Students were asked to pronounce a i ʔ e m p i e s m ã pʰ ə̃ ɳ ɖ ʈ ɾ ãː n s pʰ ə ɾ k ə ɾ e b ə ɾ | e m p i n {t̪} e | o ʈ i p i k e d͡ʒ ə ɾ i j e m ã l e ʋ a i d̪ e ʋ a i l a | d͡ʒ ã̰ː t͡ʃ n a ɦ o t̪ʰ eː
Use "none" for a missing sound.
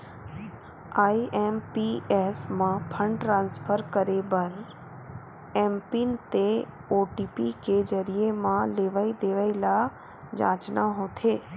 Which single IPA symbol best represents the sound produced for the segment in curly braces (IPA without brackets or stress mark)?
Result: t̪